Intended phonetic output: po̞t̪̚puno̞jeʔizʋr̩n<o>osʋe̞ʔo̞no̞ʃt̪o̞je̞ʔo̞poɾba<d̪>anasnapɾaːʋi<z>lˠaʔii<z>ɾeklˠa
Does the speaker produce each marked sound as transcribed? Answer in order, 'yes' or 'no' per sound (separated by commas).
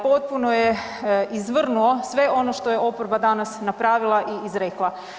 no, yes, no, yes